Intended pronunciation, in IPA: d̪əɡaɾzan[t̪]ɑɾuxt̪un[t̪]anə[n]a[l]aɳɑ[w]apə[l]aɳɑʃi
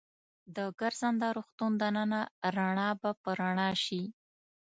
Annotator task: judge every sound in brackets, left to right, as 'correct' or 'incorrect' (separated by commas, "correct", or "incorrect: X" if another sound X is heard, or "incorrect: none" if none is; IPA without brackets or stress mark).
incorrect: d̪, incorrect: d̪, correct, incorrect: ɾ, incorrect: b, incorrect: ɾ